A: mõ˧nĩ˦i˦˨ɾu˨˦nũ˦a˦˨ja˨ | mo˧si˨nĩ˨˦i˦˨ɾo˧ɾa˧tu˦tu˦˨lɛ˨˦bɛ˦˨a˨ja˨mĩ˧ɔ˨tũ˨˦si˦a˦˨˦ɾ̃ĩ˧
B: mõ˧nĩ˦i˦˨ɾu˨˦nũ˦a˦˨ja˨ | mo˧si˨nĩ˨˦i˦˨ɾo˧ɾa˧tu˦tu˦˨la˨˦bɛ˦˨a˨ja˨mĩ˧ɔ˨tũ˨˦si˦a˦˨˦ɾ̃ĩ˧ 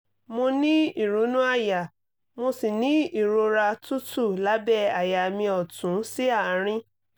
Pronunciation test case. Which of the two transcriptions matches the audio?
B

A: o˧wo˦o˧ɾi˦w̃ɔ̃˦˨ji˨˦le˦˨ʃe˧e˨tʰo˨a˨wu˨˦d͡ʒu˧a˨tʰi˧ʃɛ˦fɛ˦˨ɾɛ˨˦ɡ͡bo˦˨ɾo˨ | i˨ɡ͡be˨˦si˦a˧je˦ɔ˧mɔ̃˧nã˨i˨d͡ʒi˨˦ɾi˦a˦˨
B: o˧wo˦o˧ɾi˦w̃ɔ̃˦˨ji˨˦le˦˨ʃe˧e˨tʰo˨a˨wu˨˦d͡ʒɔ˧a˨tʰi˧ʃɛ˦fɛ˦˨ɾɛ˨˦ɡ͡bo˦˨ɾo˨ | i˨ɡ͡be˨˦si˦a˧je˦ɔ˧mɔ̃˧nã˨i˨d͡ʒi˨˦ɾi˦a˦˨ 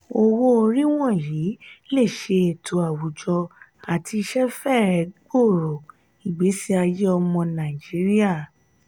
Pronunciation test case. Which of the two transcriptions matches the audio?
B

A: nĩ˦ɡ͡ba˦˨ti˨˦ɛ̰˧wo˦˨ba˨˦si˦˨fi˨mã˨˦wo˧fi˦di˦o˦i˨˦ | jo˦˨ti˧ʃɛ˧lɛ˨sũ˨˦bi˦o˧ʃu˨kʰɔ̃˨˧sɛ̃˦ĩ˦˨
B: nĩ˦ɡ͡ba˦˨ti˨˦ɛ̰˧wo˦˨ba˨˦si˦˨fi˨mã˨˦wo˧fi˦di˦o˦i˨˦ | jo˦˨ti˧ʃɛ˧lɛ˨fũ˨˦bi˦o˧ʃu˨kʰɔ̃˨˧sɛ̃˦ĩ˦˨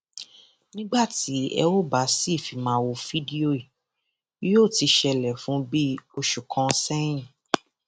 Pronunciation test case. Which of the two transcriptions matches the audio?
B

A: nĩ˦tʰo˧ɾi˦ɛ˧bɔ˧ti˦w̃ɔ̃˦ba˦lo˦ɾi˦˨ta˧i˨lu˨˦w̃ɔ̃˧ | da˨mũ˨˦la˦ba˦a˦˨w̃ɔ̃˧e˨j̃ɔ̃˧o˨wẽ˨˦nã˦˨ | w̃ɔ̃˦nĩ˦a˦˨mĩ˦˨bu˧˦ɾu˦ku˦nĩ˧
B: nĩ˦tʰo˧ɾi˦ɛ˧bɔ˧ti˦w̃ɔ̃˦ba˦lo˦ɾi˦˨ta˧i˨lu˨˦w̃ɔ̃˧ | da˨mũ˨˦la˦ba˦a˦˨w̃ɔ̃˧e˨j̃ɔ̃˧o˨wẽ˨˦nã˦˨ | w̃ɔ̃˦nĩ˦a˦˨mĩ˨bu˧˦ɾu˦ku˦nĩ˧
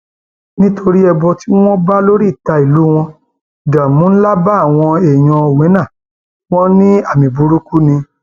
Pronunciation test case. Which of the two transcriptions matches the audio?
B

